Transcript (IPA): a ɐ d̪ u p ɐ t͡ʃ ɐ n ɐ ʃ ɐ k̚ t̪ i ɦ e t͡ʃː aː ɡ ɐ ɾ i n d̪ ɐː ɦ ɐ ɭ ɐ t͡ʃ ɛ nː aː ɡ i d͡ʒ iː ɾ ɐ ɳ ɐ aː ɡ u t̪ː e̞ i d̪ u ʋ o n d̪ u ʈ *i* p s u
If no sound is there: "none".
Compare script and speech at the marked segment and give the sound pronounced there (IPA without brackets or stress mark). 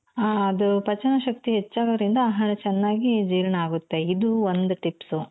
i